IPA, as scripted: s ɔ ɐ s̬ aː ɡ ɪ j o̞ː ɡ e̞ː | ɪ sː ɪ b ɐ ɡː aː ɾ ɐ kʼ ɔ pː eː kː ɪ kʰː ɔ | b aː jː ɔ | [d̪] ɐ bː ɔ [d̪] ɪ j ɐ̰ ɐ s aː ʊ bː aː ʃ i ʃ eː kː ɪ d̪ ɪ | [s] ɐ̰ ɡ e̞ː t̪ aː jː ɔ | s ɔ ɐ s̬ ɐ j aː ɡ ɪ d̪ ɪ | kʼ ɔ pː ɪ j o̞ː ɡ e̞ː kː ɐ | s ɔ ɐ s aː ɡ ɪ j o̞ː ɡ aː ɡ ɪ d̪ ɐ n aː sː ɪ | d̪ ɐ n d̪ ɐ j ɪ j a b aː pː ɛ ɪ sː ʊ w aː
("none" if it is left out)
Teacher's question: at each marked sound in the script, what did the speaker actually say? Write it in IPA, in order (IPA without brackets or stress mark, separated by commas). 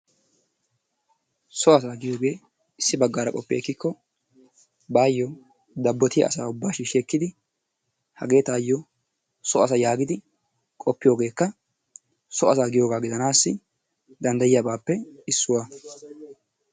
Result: d̪, t̪, h